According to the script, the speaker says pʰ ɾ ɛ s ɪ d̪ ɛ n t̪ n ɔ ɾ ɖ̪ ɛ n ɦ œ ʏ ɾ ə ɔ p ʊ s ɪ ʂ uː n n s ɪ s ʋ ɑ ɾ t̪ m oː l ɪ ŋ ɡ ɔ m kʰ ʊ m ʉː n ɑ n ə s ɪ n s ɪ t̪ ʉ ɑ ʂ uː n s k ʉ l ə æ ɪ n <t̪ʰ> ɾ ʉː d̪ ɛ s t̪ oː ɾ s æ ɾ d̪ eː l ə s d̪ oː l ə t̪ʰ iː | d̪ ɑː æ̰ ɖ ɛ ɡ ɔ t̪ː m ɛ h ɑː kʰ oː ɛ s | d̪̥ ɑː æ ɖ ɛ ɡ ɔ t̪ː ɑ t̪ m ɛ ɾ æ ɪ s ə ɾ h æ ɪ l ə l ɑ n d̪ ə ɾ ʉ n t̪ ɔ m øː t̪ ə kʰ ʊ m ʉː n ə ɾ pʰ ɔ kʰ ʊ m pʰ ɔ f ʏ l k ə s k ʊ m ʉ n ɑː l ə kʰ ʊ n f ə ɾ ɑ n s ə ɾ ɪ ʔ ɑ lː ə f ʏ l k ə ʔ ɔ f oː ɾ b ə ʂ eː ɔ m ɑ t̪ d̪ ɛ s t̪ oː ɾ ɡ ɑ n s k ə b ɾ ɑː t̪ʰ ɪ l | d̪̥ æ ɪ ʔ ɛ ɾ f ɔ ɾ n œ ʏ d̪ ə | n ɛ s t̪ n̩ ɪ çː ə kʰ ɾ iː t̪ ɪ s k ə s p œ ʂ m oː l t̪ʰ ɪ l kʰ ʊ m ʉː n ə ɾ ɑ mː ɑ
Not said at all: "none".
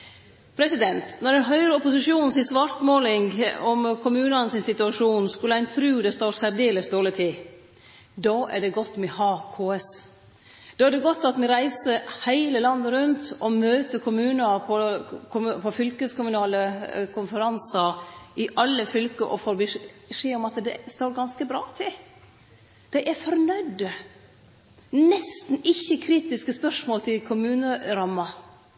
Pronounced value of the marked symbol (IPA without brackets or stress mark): t̪ʰ